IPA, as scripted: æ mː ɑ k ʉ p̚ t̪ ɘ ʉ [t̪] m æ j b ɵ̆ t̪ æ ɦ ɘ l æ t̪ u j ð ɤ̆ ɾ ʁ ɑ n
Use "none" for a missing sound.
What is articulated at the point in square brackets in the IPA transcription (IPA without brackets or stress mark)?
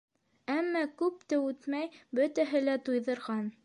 t̪